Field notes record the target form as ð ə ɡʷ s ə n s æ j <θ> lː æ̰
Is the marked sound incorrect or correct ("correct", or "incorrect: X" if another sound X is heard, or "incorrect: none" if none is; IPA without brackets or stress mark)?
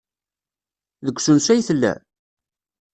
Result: correct